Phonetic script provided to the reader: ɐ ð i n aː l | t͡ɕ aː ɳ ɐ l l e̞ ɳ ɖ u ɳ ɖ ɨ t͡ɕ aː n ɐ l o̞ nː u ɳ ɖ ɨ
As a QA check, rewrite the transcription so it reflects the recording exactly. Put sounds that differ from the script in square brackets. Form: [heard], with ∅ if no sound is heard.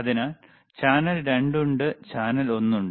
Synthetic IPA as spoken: ɐ ð i n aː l | t͡ɕ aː [n] ɐ l [ɾ] e̞ ɳ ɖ u ɳ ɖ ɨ t͡ɕ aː n ɐ l o̞ nː u ɳ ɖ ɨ